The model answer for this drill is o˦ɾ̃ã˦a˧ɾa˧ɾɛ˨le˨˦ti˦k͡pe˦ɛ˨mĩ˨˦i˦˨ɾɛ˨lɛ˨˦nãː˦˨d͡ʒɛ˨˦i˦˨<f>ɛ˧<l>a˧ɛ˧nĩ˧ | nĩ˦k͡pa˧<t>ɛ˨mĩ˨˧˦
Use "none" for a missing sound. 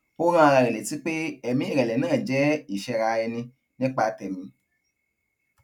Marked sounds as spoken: ʃ, ɾ, t

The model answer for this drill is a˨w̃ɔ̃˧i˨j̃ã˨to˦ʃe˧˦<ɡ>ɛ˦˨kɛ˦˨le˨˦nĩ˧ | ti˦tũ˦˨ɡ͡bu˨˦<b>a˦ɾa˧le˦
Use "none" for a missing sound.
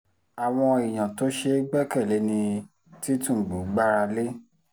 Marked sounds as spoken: ɡ͡b, ɡ͡b

